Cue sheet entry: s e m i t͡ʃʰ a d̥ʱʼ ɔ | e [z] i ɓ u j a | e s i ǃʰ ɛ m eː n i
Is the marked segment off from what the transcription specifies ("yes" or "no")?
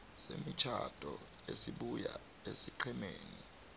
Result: yes